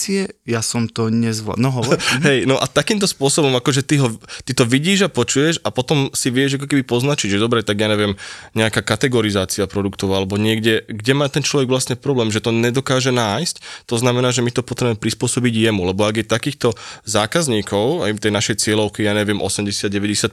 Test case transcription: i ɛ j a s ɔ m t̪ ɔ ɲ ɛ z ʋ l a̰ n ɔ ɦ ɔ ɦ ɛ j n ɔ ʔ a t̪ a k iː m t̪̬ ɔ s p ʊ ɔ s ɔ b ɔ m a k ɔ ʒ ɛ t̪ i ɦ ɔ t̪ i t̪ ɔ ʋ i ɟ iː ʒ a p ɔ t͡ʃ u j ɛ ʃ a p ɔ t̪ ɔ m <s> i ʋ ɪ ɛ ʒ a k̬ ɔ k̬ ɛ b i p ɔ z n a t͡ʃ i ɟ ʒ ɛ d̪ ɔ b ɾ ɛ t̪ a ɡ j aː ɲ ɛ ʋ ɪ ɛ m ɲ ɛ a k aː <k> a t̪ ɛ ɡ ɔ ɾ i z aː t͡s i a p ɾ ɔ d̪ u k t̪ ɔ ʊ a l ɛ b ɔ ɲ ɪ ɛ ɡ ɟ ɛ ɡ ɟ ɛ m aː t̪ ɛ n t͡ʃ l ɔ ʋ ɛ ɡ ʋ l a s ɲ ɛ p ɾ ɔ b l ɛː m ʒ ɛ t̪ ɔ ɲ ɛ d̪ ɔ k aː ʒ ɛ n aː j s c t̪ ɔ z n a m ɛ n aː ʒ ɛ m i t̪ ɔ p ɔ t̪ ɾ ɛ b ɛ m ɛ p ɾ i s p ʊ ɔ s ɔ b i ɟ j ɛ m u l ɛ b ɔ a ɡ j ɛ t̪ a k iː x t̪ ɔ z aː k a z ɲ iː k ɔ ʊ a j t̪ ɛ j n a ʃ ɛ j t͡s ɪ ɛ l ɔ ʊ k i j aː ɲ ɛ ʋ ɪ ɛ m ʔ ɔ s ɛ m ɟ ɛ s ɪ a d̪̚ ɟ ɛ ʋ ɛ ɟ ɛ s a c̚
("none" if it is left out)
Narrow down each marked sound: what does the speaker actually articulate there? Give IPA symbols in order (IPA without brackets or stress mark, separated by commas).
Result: s, k